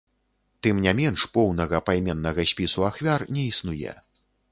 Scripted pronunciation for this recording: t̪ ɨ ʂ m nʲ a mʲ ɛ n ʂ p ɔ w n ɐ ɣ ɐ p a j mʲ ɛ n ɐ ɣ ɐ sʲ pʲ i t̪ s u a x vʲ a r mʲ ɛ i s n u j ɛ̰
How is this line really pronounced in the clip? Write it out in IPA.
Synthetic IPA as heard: t̪ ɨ m nʲ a mʲ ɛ n ʂ p ɔ w n ɐ ɣ ɐ p a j mʲ ɛ nː ɐ ɣ ɐ sʲ pʲ i s u a x vʲ a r nʲ ɛ i s n u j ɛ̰